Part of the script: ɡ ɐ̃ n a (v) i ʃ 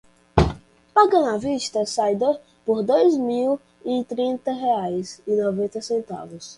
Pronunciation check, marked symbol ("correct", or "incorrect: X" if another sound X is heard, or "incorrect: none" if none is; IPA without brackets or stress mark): correct